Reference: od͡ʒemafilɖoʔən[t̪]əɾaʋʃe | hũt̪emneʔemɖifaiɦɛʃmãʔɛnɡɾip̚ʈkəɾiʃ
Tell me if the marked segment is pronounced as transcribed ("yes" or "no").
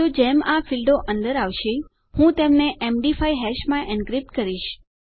no